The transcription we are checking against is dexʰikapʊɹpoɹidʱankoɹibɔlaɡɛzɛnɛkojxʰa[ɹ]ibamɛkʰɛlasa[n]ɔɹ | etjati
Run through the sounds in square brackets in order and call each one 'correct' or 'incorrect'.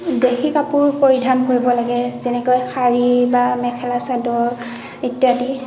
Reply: correct, incorrect: d

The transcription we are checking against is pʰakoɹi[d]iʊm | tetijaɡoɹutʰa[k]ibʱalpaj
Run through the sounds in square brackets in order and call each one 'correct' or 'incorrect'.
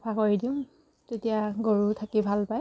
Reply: correct, correct

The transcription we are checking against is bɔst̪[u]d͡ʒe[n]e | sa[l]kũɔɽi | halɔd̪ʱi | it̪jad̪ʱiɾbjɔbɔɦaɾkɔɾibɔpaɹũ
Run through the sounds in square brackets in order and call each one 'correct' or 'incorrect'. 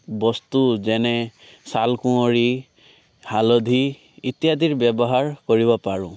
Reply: correct, correct, correct

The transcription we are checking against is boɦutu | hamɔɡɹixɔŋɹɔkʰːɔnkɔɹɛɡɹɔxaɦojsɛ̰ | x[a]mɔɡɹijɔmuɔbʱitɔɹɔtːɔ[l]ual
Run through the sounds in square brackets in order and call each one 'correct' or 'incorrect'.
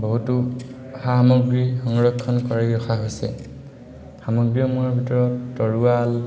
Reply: correct, incorrect: ɹ

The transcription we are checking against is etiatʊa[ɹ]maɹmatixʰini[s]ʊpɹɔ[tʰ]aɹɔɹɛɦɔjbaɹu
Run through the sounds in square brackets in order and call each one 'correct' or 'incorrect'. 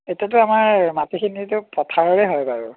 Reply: incorrect: none, incorrect: t, correct

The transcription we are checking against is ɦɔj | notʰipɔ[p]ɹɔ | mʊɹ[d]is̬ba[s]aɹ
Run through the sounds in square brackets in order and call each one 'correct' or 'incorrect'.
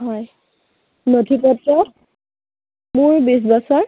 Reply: incorrect: t, incorrect: b, correct

